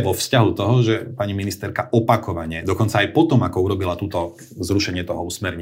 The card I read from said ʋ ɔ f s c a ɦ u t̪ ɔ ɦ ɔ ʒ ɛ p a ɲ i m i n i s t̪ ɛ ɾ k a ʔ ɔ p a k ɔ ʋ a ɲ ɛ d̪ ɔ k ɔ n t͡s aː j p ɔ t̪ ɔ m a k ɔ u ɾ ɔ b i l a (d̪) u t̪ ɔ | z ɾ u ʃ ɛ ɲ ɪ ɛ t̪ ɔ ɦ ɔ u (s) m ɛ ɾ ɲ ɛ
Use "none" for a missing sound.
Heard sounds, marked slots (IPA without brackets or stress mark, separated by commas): t̪, s